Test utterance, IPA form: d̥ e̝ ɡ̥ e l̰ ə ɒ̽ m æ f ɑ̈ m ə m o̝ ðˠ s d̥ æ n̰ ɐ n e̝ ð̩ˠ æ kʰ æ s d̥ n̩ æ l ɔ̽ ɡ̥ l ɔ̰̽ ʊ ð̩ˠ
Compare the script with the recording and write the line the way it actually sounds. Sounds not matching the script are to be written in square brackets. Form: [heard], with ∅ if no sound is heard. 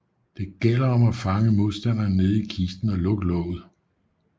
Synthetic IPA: d̥ e̝ ɡ̥ e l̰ [ɐ] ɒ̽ m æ f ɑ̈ [ŋ] ə m o̝ ðˠ s d̥ æ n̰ ɐ n e̝ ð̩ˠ [i] kʰ [i] s d̥ n̩ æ l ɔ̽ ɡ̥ l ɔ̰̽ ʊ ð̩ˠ

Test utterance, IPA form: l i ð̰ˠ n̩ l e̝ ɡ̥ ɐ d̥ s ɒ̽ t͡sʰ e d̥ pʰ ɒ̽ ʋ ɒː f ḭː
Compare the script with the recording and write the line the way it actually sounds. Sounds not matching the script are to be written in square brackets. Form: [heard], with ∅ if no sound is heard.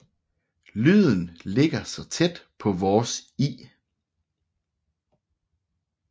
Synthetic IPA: l [y] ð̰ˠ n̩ l e̝ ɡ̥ ɐ [∅] s ɒ̽ t͡sʰ e d̥ pʰ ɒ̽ ʋ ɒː [s] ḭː

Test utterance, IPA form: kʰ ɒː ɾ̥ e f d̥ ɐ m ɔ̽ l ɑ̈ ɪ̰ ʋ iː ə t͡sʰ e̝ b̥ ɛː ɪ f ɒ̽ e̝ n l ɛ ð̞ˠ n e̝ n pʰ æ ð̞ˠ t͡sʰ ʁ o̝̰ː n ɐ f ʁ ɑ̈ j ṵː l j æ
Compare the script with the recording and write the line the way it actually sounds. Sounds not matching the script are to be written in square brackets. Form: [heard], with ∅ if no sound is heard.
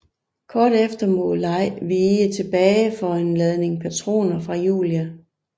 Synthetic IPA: kʰ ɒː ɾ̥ e f d̥ ɐ m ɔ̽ l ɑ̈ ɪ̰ ʋ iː ə t͡sʰ e̝ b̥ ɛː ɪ f ɒ̽ e̝ n l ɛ ð̞ˠ n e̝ [ŋ] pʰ æ [∅] t͡sʰ ʁ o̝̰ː n ɐ f ʁ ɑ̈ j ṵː l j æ

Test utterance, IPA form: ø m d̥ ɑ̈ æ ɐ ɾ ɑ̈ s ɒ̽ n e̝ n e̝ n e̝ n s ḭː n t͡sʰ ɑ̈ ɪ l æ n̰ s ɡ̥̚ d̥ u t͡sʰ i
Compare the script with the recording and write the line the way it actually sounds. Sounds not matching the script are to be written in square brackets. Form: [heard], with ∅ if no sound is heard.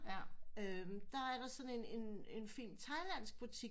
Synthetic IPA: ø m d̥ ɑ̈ æ ɐ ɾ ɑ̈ s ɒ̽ n e̝ n e̝ n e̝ n [f] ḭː n t͡sʰ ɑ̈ ɪ l æ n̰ s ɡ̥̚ [b̥] u t͡sʰ i

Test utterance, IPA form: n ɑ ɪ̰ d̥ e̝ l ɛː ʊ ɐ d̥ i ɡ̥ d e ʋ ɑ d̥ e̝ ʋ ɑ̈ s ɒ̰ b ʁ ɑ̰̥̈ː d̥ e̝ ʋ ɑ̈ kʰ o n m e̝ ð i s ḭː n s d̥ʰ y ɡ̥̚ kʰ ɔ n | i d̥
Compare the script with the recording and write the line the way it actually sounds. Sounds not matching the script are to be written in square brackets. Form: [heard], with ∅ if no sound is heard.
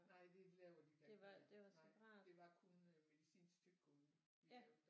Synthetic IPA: n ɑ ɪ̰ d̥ e̝ l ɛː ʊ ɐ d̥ i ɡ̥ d e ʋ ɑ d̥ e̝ ʋ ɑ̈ s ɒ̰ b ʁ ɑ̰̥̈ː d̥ e̝ ʋ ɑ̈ kʰ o n m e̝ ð i s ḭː n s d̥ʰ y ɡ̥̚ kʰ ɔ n | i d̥

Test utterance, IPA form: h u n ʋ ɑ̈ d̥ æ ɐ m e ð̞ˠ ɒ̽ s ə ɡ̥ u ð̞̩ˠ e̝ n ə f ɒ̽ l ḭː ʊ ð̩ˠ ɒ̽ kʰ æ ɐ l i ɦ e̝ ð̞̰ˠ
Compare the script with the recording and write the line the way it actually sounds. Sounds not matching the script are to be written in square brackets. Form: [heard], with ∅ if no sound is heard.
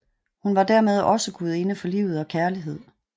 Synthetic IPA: h u n ʋ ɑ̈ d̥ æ ɐ m e ð̞ˠ ɒ̽ s ə ɡ̥ u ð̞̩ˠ e̝ n ə f ɒ̽ l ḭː ʊ ð̩ˠ ɒ̽ kʰ æ ɐ l i ɦ e̝ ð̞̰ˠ

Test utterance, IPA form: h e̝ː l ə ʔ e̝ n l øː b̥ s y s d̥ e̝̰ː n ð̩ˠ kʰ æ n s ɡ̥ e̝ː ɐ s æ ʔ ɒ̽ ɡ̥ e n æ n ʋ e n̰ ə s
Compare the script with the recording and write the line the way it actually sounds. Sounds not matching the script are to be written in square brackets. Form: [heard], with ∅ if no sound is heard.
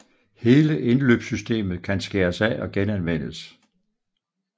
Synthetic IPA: h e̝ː l ə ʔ e̝ n l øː b̥ s y s d̥ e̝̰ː [m] ð̩ˠ kʰ æ n s ɡ̥ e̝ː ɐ s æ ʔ ɒ̽ ɡ̥ e n æ n ʋ e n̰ ə s

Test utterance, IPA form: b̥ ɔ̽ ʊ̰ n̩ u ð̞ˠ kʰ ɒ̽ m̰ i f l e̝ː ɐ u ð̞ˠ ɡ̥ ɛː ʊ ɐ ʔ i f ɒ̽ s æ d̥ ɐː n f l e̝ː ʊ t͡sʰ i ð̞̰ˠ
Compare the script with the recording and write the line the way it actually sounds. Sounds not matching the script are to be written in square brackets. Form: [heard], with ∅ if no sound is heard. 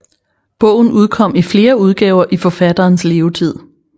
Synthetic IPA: b̥ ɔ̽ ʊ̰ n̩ u ð̞ˠ kʰ ɒ̽ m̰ i f l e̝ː ɐ u ð̞ˠ ɡ̥ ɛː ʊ ɐ ʔ i f ɒ̽ [f] æ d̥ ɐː n [s] l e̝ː ʊ t͡sʰ i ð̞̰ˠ

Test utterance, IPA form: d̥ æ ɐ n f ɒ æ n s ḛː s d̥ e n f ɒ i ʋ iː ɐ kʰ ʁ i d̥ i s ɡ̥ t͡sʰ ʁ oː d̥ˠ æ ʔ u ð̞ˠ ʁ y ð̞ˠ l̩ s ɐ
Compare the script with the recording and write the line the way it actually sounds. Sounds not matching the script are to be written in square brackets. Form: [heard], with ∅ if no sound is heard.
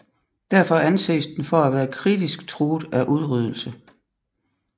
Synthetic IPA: d̥ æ ɐ [∅] f ɒ æ n s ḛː s d̥ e n f ɒ [æ] ʋ [æː] ɐ kʰ ʁ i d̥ i s ɡ̥ t͡sʰ ʁ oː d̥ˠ æ ʔ u ð̞ˠ ʁ y ð̞ˠ l̩ s [ə]

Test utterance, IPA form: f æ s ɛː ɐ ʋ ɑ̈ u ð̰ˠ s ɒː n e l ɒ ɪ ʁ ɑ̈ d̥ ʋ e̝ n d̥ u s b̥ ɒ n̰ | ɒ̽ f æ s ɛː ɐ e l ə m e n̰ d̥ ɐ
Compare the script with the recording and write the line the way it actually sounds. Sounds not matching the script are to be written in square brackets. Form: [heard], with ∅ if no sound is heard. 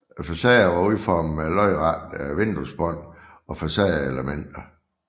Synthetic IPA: f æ s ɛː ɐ ʋ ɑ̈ u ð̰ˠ [f] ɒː [m] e l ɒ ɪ ʁ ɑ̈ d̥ ʋ e̝ n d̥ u s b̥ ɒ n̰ | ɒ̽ f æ s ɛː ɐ e l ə m e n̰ d̥ ɐ

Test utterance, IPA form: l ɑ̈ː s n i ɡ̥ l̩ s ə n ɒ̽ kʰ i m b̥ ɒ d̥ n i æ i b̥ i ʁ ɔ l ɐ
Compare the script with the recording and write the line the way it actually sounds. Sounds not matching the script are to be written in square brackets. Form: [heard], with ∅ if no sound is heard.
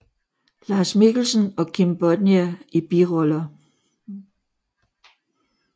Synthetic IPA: l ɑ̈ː s [m] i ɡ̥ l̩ s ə n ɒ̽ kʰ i m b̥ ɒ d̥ n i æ i b̥ i ʁ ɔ l ɐ

